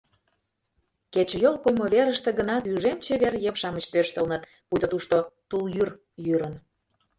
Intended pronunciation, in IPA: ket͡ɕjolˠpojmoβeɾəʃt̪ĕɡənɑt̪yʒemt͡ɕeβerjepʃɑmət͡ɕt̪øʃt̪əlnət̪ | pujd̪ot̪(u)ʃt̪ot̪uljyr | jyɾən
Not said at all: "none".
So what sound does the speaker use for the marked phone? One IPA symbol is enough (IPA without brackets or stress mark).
u